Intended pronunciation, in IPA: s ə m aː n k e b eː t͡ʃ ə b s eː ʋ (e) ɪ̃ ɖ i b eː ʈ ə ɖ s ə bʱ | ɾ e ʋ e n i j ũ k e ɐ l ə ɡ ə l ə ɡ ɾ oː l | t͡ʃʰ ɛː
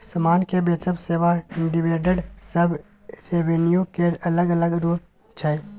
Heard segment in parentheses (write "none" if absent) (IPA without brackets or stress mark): a